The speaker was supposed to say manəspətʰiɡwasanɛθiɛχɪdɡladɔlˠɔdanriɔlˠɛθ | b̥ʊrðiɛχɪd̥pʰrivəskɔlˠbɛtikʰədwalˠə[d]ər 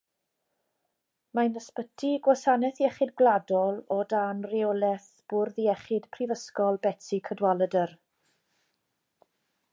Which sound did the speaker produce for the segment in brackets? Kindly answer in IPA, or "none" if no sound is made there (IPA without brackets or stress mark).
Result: d